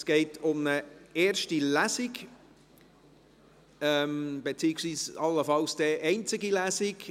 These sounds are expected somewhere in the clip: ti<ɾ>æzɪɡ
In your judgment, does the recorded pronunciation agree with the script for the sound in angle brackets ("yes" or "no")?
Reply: no